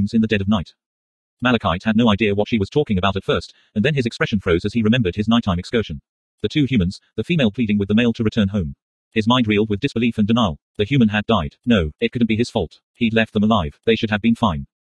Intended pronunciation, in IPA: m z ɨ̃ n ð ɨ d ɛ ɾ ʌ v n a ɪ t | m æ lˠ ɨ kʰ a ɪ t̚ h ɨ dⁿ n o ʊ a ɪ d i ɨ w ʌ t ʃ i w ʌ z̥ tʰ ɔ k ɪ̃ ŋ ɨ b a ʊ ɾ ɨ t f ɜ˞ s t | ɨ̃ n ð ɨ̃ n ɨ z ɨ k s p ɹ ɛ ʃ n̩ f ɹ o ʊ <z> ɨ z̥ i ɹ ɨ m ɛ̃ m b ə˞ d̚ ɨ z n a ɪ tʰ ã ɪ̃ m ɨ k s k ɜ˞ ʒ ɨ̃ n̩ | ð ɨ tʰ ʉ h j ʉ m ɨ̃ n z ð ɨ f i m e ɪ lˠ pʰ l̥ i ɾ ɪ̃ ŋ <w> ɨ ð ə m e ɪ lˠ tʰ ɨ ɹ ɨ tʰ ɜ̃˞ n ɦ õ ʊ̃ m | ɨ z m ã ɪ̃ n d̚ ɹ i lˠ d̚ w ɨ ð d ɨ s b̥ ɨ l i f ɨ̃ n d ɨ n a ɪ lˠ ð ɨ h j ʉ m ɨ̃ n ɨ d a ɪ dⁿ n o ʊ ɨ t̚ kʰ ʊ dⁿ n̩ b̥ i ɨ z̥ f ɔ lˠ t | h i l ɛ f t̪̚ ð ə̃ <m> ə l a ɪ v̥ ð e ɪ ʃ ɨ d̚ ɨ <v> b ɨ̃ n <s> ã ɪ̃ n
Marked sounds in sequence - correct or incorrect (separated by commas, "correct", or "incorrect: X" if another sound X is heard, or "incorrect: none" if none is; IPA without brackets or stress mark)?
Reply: correct, correct, correct, correct, incorrect: f